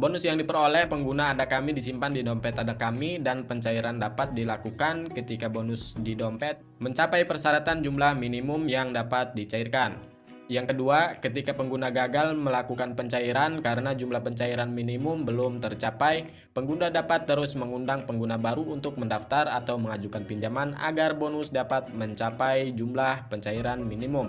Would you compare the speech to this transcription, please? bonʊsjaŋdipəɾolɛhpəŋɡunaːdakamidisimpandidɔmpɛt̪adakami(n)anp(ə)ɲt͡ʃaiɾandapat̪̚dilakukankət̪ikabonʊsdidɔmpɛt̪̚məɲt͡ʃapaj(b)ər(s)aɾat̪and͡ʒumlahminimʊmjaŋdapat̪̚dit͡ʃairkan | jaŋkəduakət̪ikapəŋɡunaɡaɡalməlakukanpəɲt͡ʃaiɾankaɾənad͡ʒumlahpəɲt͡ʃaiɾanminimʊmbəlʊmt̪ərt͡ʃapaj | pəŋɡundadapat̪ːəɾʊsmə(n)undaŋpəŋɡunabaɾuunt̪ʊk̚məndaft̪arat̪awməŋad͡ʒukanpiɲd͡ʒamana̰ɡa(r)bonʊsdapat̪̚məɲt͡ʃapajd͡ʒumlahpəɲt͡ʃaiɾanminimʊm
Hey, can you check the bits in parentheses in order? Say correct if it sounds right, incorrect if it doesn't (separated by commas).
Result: incorrect, correct, incorrect, correct, incorrect, correct